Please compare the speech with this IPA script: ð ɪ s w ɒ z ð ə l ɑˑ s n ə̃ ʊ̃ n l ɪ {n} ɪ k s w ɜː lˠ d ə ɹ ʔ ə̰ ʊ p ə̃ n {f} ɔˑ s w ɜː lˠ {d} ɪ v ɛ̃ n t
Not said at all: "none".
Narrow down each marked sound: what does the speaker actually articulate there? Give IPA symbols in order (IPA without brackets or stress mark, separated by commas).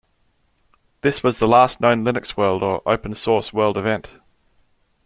n, s, d